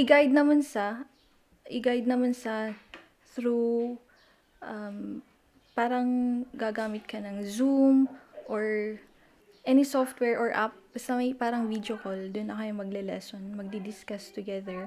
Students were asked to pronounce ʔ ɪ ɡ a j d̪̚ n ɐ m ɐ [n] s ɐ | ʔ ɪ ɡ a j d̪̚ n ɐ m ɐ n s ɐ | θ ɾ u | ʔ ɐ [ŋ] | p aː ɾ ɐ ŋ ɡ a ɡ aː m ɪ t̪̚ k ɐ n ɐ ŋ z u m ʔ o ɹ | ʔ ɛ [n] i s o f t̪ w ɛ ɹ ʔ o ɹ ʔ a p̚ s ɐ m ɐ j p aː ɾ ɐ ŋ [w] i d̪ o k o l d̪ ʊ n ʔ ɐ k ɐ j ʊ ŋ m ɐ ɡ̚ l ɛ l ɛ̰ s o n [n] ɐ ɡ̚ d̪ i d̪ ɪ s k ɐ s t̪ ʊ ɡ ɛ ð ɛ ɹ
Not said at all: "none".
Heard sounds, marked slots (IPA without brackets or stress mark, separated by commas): n, m, n, v, m